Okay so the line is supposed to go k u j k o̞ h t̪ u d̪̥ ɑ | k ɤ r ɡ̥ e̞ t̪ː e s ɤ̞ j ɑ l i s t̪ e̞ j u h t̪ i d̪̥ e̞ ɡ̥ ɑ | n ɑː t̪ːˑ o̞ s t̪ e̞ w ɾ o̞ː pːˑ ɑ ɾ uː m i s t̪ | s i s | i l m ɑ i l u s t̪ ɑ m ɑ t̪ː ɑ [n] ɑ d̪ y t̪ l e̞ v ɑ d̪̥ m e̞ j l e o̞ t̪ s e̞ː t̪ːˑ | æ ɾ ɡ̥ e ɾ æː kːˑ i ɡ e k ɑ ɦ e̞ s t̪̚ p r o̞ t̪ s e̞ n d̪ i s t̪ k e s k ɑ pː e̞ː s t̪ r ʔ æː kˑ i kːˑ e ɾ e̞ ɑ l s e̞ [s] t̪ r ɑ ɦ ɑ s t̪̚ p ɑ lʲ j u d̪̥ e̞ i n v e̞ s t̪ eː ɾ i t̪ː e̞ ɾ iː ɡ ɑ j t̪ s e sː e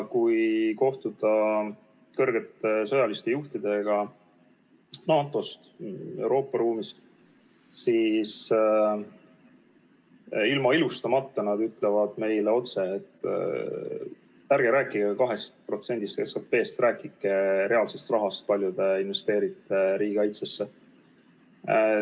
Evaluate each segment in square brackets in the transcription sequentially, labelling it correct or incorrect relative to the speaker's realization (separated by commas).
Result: correct, correct